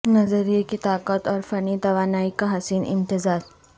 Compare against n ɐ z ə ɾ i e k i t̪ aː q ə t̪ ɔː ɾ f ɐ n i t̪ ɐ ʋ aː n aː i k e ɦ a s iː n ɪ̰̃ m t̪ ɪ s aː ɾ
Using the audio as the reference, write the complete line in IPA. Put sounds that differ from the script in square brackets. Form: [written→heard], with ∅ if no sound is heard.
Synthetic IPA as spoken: n ɐ z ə ɾ i e k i t̪ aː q ə t̪ ɔː ɾ f ɐ n i t̪ ɐ ʋ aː n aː i k [e→a] ɦ [a→ɐ] s iː n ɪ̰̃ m t̪ ɪ [s→z] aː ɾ